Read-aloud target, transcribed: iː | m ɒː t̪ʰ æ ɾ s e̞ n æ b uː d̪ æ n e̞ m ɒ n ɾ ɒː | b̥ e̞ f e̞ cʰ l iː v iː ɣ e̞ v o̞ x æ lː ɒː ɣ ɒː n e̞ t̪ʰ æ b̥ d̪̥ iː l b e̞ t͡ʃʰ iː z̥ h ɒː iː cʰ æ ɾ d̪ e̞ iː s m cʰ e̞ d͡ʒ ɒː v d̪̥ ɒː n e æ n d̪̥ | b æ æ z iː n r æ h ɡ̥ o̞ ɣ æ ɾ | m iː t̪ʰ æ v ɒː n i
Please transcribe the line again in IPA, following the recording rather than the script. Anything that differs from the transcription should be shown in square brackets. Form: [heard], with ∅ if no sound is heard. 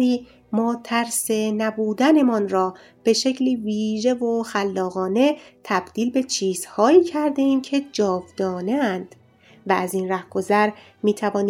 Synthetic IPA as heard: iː | m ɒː t̪ʰ æ ɾ s e̞ n æ b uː d̪ æ n e̞ m ɒ n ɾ ɒː | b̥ e̞ [ʃ] e̞ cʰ l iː v iː [ʒ] e̞ v o̞ x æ lː ɒː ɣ ɒː n e̞ t̪ʰ æ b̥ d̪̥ iː l b e̞ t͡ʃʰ iː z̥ h ɒː iː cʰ æ ɾ d̪ e̞ iː [∅] m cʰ e̞ d͡ʒ ɒː v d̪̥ ɒː n e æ n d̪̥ | [v] æ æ z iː n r æ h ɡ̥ o̞ [z] æ ɾ | m iː t̪ʰ æ v ɒː n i